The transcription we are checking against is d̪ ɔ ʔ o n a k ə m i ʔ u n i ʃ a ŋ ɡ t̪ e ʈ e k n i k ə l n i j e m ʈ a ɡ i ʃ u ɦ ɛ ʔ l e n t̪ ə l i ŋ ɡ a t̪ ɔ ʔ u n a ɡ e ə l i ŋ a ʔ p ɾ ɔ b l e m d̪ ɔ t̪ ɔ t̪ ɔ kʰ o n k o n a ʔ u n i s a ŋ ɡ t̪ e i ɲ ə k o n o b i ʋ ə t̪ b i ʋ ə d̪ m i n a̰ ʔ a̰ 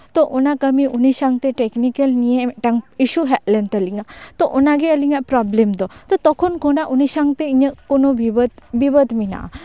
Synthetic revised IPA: t̪ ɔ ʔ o n a k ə m i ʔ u n i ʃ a ŋ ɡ t̪ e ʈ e k n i k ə l n i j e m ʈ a ŋ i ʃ u ɦ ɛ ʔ l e n t̪ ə l i ŋ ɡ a t̪ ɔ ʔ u n a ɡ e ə l i ŋ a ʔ p ɾ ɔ b l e m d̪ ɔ t̪ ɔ t̪ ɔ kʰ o n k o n a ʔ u n i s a ŋ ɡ t̪ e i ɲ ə k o n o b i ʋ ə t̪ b i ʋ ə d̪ m i n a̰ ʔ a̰